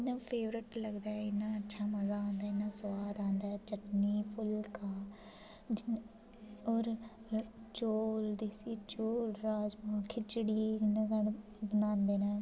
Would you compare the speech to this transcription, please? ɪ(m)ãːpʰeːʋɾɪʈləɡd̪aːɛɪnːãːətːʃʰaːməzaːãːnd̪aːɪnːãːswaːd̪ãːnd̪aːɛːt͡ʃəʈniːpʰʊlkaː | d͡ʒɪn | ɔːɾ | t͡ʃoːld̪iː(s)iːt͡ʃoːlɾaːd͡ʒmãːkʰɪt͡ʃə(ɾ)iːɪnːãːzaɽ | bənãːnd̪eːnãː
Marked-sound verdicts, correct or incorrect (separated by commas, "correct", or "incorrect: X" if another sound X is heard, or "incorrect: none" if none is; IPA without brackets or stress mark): incorrect: n, correct, incorrect: ɽ